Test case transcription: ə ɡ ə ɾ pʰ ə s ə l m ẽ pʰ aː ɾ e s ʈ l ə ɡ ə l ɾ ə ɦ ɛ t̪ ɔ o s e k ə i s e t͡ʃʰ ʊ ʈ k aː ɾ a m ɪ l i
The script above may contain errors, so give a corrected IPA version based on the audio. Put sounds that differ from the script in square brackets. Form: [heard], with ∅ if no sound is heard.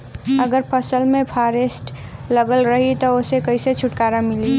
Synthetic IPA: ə ɡ ə ɾ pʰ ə s ə l m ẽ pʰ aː ɾ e s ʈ l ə ɡ ə l ɾ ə ɦ [i] t̪ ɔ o s e k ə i s e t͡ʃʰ ʊ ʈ k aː ɾ a m ɪ l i